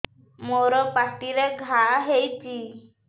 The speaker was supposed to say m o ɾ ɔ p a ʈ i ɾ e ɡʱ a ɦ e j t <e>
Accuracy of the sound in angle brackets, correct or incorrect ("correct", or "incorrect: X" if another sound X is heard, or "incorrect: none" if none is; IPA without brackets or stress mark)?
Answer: incorrect: i